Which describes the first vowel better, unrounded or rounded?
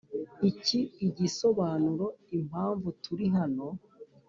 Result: unrounded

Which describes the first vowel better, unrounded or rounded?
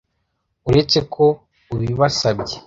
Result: rounded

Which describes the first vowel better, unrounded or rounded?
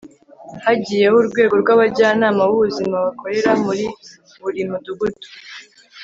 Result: unrounded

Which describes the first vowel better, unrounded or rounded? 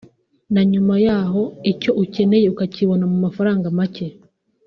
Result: unrounded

